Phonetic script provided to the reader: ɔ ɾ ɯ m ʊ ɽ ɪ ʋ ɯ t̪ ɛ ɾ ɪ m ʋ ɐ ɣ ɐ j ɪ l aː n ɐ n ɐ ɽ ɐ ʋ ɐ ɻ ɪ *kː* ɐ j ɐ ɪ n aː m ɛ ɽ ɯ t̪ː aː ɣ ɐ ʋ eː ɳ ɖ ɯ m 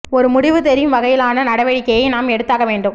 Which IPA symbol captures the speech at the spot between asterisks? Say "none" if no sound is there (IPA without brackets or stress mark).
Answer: kː